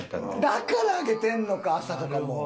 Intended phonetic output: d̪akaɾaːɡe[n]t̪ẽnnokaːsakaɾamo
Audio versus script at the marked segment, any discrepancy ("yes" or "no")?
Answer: yes